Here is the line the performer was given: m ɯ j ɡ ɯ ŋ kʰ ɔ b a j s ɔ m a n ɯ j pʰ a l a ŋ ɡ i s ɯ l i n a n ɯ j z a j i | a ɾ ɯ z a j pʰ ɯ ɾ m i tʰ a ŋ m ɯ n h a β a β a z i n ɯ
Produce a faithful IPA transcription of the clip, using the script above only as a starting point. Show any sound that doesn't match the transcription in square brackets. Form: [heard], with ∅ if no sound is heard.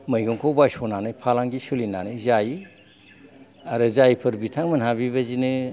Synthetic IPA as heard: m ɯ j ɡ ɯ ŋ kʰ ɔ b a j s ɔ [n] a n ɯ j pʰ a l a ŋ ɡ i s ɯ l i n a n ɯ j z a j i | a ɾ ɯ z a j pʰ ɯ ɾ [b] i tʰ a ŋ m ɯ n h a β [i] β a z i n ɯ